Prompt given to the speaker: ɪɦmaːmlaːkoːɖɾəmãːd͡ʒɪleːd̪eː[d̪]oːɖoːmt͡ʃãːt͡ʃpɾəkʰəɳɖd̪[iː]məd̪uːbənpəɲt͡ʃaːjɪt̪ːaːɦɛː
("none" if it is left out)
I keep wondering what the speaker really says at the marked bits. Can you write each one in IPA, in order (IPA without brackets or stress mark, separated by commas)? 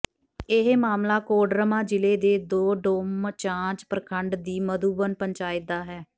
d̪, iː